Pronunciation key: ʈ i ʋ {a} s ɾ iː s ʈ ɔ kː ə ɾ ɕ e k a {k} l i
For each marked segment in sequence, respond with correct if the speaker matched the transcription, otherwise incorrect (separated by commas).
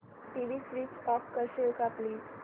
incorrect, incorrect